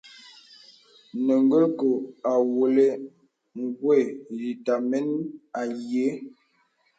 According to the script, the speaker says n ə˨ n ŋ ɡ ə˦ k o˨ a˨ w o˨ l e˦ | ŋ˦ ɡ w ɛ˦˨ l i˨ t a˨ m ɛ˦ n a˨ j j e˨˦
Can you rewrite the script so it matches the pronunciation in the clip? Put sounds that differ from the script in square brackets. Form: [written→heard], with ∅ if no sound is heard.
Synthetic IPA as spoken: n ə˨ [n→∅] ŋ ɡ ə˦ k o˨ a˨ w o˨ l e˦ | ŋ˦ ɡ w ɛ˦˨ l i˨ t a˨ m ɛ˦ n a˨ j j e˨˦

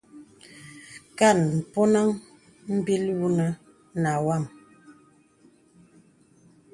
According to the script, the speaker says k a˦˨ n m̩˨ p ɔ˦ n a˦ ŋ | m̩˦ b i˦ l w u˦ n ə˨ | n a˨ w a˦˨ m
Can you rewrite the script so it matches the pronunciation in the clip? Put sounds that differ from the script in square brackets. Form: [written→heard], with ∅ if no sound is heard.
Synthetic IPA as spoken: k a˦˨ n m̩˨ p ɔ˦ n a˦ ŋ | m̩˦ b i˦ l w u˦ n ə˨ | n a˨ w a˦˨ m

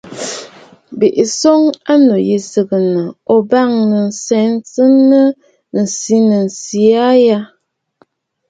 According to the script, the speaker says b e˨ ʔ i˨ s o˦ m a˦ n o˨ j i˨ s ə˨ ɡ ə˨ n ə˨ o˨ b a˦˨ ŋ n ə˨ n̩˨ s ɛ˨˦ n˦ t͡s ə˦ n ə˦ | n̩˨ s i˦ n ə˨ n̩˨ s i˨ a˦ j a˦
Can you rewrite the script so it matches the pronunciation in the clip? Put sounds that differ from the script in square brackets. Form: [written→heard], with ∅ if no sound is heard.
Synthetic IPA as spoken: b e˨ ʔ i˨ s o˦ [m→ŋ] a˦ n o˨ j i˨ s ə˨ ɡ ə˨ n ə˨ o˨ b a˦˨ ŋ n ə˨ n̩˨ s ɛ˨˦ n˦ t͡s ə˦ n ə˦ | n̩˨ s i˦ n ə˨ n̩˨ s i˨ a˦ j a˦

